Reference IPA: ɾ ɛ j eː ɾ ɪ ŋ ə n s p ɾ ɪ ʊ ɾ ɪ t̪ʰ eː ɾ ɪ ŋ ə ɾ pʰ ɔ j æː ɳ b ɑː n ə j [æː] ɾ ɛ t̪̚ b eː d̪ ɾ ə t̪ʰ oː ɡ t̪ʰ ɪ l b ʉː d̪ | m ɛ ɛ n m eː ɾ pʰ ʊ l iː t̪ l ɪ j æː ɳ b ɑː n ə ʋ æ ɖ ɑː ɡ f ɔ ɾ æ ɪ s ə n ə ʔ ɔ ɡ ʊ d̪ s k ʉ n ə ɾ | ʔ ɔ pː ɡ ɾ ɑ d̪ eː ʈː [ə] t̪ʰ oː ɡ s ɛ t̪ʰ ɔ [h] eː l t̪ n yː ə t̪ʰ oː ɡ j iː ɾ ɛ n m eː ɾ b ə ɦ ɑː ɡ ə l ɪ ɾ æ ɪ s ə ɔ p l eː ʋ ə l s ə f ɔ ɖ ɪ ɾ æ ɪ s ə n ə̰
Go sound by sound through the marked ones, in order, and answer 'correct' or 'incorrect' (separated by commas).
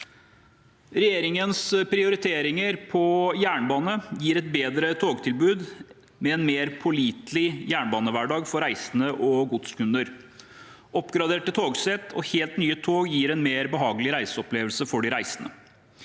incorrect, correct, correct